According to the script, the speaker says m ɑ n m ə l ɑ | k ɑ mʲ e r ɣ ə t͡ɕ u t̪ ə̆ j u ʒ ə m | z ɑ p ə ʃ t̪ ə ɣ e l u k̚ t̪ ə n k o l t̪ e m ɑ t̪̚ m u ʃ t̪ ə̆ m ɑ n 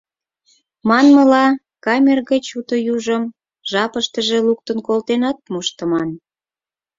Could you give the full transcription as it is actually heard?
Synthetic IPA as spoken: m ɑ n m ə l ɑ | k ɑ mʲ e r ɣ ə t͡ɕ u t̪ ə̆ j u ʒ ə m | ʒ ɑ p ə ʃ t̪ ə ʒ e l u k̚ t̪ ə n k o l t̪ e n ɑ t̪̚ m u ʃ t̪ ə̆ m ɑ n